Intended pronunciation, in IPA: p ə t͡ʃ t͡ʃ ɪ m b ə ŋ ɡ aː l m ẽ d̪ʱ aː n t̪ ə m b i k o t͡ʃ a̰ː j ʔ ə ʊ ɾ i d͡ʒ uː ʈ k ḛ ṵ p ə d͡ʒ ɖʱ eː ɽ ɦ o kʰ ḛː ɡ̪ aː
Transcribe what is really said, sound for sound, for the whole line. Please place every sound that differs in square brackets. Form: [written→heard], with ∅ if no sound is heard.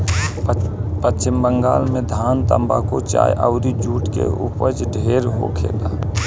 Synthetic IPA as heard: p ə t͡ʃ t͡ʃ ɪ m b ə ŋ ɡ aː l m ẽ d̪ʱ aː n t̪ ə m b [i→a] k o t͡ʃ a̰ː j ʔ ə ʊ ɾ i d͡ʒ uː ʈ k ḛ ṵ p ə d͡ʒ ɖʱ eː [ɽ→ɾ] ɦ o kʰ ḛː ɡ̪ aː